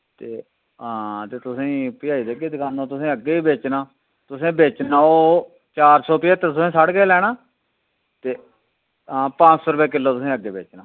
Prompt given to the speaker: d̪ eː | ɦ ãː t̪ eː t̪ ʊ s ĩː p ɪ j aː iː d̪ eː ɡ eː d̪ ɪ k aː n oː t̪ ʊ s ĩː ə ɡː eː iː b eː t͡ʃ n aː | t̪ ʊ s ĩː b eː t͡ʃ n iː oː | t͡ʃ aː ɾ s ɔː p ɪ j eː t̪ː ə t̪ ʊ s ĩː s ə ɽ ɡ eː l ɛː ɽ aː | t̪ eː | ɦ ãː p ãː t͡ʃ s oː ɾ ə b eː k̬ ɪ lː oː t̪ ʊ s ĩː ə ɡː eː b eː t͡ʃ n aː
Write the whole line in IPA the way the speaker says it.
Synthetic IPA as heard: t̪ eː | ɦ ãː t̪ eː t̪ ʊ s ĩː p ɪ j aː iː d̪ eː ɡ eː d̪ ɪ k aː n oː t̪ ʊ s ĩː ə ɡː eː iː b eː t͡ʃ n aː | t̪ ʊ s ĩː b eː t͡ʃ n aː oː | t͡ʃ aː ɾ s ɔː p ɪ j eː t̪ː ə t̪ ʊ s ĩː s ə ɽ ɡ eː l ɛː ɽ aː | t̪ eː | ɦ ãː p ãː t͡ʃ s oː ɾ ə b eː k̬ ɪ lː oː t̪ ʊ s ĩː ə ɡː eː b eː t͡ʃ n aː